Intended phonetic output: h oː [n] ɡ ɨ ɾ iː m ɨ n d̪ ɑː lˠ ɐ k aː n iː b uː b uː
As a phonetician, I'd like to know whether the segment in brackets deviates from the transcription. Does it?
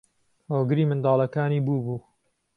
yes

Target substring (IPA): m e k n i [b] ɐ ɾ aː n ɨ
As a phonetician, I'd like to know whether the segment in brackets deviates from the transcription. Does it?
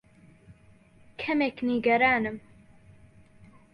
yes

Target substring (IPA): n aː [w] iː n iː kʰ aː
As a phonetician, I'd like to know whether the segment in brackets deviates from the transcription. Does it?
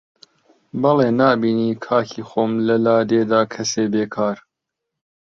yes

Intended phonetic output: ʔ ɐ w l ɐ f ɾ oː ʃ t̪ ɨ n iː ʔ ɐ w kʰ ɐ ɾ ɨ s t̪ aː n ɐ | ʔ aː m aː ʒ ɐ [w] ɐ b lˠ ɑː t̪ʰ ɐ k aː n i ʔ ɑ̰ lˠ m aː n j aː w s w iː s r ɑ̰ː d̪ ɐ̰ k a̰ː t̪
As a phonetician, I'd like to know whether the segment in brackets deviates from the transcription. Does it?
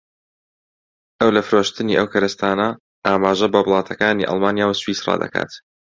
yes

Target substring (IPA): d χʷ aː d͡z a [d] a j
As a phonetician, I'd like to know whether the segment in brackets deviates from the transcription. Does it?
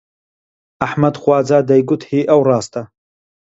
no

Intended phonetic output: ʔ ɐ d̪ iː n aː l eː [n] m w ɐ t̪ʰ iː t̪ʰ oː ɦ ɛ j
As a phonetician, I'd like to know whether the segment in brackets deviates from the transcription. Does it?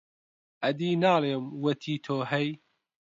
yes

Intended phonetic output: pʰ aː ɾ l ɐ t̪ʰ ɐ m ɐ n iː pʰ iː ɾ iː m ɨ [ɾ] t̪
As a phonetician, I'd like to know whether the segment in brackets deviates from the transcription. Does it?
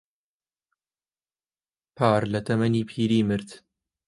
no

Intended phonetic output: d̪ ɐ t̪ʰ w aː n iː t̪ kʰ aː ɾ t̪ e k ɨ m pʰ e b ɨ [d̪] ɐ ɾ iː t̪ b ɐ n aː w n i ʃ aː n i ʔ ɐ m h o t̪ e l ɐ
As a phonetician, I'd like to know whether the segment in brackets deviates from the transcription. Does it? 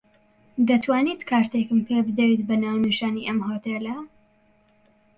no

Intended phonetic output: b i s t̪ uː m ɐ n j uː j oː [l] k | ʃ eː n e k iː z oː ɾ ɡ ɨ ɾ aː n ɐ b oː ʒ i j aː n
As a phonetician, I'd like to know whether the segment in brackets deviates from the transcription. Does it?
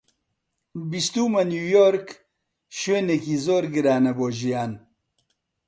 yes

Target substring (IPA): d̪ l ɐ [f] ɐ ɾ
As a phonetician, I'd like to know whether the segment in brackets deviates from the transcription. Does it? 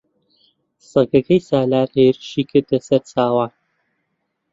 yes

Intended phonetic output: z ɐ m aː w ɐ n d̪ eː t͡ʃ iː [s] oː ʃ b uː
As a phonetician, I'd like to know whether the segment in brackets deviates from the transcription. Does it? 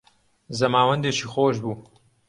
yes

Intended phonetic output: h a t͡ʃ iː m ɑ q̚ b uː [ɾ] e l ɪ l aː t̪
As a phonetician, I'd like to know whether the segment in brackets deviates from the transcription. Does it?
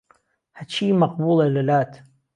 yes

